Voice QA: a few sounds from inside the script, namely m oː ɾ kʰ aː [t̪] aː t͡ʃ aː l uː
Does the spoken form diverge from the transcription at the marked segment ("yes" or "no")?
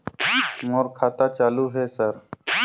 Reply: no